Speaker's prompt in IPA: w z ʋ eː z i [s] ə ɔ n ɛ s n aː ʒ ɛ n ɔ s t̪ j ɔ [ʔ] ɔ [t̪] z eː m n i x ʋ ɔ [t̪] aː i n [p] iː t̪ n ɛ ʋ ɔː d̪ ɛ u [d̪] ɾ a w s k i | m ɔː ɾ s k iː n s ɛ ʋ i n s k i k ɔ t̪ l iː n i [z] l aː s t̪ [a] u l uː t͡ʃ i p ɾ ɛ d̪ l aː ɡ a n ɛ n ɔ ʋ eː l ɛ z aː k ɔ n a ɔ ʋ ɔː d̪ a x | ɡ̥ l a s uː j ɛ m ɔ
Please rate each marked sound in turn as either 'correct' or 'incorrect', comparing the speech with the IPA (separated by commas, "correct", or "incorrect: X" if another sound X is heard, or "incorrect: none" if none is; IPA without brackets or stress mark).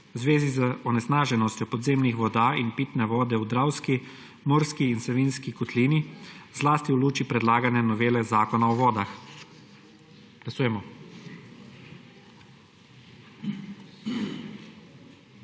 incorrect: z, incorrect: p, incorrect: d̪, incorrect: d̪, correct, correct, correct, incorrect: i